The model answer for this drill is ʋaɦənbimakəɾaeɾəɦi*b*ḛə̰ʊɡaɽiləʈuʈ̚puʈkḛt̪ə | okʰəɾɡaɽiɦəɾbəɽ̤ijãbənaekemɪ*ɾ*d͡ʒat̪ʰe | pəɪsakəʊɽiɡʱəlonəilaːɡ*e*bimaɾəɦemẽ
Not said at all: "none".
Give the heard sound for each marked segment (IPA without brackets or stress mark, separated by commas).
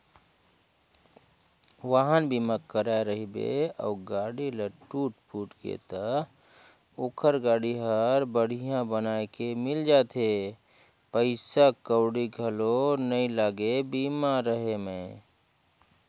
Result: b, l, e